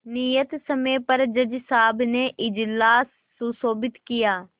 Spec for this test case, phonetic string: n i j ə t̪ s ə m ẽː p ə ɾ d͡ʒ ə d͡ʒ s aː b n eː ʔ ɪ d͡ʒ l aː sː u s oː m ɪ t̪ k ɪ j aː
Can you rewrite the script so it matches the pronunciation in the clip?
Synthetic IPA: n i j ə t̪ s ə m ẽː p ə ɾ d͡ʒ ə d͡ʒ s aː b n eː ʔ ɪ d͡ʒ l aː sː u s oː b ɪ t̪ k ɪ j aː